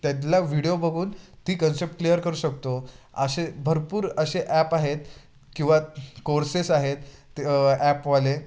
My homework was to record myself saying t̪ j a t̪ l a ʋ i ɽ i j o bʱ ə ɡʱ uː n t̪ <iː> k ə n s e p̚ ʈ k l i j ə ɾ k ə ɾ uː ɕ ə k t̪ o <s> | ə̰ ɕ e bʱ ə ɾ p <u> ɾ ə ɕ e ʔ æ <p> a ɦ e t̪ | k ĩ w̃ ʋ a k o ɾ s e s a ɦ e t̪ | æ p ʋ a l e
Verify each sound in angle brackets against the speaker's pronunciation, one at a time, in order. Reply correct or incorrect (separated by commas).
correct, incorrect, incorrect, correct